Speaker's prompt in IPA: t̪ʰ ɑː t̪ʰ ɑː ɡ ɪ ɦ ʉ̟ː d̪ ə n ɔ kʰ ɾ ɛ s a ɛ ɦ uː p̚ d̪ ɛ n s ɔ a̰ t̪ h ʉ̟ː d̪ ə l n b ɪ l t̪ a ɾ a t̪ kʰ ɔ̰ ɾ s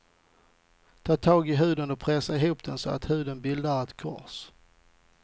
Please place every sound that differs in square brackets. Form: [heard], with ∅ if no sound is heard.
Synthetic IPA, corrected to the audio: t̪ʰ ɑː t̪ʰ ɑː ɡ ɪ ɦ ʉ̟ː d̪ ə n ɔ [pʰ] ɾ ɛ s a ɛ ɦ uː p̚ d̪ ɛ n s ɔ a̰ t̪ h ʉ̟ː d̪ ə [∅] n b ɪ l [d̪] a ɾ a t̪ kʰ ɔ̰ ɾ s